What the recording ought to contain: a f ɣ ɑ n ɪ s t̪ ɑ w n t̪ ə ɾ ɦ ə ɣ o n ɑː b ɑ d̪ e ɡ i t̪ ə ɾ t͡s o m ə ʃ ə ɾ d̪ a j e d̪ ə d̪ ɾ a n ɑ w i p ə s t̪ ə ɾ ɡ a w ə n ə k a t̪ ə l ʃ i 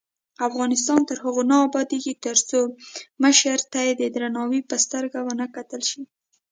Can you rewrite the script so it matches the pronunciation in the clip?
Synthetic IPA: a f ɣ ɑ n ɪ s t̪ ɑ n t̪ ə ɾ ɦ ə ɣ o n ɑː b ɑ d̪ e ɡ i t̪ ə ɾ t͡s o m ə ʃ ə ɾ t̪ a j e d̪ ə d̪ ɾ a n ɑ w i p ə s t̪ ə ɾ ɡ a w ə n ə k a t̪ ə l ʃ i